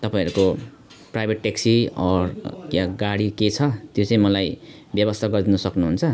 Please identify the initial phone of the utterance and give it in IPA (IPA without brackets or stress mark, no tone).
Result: t̪